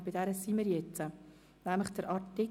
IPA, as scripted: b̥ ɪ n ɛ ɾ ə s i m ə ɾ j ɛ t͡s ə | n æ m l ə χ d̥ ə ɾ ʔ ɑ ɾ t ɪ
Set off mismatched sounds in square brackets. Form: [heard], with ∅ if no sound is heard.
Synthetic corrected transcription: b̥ ɪ [d] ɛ ɾ ə s i m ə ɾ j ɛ t͡s ə | n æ m l ə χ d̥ ə ɾ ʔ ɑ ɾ t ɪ